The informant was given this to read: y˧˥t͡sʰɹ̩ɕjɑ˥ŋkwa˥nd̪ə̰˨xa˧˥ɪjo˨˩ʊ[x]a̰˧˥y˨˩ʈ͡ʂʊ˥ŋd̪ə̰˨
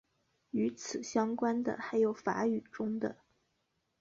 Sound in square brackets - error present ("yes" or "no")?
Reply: yes